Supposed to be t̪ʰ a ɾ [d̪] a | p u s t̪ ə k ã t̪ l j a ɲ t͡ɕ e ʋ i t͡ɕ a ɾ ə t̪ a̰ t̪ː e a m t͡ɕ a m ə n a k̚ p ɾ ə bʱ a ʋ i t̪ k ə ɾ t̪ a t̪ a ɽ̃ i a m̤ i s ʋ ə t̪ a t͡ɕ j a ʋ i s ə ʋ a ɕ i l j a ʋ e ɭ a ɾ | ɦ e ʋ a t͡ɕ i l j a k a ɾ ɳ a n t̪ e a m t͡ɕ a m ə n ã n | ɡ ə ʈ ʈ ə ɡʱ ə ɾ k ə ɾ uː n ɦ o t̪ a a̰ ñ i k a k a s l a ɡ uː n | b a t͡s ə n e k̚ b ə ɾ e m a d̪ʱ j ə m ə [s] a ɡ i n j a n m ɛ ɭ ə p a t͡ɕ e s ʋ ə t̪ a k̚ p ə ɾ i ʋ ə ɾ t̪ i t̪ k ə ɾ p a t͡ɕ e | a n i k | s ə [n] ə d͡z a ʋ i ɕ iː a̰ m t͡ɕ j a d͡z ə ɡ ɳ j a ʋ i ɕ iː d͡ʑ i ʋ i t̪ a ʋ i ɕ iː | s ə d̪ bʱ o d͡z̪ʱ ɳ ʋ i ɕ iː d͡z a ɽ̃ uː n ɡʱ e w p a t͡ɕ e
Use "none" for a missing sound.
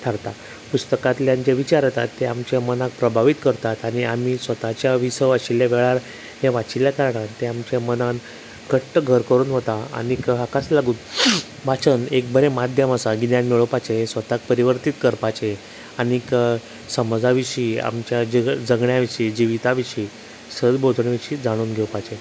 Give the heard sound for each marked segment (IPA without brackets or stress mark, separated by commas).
t̪, s, m